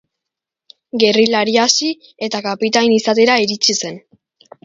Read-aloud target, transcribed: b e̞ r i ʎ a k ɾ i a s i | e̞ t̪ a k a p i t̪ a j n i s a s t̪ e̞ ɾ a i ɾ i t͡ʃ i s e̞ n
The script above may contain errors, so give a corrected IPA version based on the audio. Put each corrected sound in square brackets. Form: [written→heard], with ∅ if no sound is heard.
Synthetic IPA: [b→ɡ] e̞ r i [ʎ→l] a [k→∅] ɾ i a s i | e̞ t̪ a k a p i t̪ a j n i s a [s→∅] t̪ e̞ ɾ a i ɾ i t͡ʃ i s e̞ n